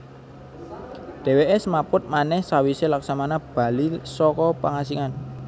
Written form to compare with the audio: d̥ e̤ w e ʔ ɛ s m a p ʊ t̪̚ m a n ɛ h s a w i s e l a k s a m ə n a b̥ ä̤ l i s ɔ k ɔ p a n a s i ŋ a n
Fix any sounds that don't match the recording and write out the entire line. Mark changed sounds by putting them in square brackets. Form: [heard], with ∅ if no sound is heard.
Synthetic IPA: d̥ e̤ w e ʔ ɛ s m a p ʊ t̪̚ m a n ɛ h s a w i s e l a k s a m [a] n a b̥ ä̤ l i s ɔ k ɔ p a [ŋ] a s i ŋ a n